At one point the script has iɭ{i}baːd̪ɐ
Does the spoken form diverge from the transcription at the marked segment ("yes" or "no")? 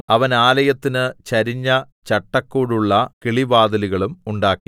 no